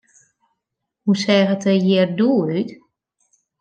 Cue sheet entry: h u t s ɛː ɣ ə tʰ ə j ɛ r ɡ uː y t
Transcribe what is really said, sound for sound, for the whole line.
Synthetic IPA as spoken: h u s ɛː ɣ ə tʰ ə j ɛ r d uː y t